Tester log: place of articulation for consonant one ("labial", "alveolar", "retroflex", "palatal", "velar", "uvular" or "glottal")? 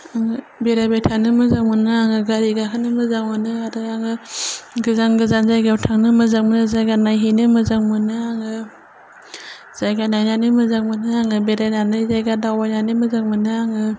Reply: velar